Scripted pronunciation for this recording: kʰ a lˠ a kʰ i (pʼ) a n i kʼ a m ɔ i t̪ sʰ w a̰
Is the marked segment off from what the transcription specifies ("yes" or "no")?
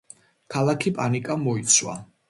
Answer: no